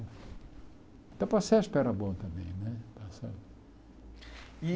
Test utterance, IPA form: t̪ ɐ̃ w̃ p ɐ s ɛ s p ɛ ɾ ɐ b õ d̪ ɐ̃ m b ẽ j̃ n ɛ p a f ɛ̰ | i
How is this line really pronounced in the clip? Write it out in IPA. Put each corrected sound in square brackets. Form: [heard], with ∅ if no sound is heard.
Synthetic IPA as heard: t̪ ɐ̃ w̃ p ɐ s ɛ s p ɛ ɾ ɐ b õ [t̪] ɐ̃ m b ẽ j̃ n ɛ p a [s] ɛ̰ | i